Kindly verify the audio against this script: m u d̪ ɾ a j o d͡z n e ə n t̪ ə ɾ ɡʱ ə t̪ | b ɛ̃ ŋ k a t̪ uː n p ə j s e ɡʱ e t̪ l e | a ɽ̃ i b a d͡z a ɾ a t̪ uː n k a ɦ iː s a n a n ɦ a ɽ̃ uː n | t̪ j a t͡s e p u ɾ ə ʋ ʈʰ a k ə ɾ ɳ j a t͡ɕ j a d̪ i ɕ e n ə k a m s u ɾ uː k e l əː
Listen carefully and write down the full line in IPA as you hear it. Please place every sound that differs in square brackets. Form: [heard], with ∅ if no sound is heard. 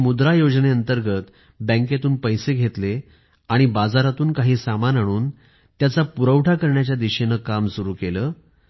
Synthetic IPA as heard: m u d̪ ɾ a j o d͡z n e ə n t̪ ə ɾ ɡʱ ə t̪ | b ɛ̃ ŋ k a t̪ uː n p ə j s e ɡʱ e t̪ l e | a ɽ̃ i b a d͡z a ɾ a t̪ uː n k a ɦ iː s a [m] a n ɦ a ɽ̃ uː n | t̪ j a t͡s [a] p u ɾ ə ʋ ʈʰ a k ə ɾ ɳ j a t͡ɕ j a d̪ i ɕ e n ə k a m s u ɾ uː k e l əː